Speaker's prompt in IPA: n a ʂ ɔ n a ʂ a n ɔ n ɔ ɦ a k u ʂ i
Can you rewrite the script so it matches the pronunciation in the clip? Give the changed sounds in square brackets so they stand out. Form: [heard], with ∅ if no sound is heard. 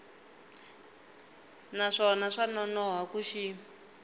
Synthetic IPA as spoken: n a ʂ ɔ n a ʂ a n ɔ n ɔ ɦ a k u [ʃ] i